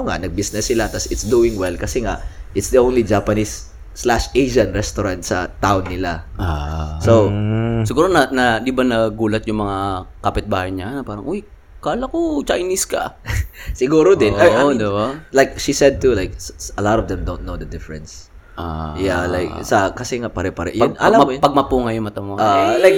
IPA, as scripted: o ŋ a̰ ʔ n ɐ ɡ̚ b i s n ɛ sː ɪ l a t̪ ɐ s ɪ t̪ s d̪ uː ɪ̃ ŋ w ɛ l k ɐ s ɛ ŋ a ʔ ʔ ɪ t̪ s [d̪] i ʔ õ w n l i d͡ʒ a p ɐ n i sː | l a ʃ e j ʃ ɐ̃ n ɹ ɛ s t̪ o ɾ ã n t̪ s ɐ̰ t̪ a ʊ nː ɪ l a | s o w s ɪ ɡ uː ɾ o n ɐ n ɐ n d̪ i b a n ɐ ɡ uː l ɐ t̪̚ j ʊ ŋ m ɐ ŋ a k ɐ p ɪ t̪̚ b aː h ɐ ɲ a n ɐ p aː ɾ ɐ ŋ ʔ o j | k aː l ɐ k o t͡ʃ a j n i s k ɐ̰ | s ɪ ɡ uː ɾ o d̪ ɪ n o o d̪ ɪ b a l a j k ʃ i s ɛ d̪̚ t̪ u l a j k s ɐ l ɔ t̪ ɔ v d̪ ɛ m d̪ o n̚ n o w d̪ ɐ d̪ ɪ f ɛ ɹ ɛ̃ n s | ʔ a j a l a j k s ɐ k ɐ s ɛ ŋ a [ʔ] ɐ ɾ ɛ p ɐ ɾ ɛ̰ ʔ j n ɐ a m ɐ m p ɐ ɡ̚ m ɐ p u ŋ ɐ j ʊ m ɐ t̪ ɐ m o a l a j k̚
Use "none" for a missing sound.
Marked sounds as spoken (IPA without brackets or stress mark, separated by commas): d̪, p